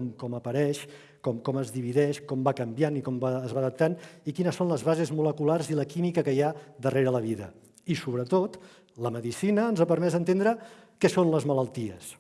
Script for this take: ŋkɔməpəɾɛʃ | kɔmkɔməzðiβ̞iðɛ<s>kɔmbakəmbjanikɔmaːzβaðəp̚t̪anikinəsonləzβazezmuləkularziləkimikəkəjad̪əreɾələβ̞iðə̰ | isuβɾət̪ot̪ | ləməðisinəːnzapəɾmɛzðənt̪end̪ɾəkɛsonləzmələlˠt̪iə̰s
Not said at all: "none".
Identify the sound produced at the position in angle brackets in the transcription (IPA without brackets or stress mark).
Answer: ʃ